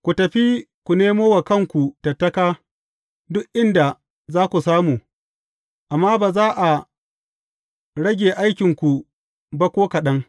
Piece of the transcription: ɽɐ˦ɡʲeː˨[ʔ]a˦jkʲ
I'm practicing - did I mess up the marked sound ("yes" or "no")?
no